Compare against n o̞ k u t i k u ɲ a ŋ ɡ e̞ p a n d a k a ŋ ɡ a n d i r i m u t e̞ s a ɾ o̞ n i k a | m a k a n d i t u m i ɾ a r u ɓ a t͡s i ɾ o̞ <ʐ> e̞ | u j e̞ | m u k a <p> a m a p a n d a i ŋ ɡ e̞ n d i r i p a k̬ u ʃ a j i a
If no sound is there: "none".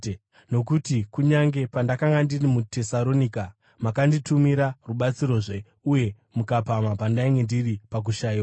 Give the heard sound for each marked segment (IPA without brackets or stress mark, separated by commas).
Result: ʐ, p